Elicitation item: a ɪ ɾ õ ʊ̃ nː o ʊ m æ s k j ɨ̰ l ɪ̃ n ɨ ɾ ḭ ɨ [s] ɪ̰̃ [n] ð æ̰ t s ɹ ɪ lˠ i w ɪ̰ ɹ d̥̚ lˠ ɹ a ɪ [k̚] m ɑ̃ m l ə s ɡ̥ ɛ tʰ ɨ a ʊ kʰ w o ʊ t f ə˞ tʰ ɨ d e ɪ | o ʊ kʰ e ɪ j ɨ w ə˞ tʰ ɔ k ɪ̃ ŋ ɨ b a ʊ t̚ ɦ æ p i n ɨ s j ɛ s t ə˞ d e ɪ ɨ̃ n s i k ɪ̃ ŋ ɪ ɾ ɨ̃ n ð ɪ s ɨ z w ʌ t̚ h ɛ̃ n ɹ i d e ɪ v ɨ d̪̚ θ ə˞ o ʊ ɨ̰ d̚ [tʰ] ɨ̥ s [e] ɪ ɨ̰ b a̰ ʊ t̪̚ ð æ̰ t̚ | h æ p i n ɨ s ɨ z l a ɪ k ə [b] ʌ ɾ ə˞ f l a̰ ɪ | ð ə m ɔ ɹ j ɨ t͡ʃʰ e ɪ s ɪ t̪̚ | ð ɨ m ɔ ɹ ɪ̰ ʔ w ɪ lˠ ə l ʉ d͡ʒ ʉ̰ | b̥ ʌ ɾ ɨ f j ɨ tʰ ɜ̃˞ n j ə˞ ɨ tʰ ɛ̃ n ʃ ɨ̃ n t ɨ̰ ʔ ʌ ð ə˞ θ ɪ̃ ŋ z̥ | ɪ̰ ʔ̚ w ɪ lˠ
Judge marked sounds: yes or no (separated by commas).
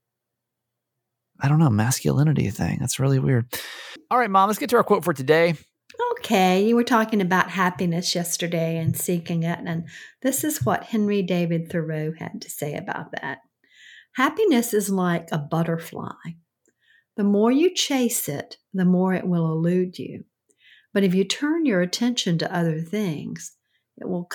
no, no, no, yes, yes, yes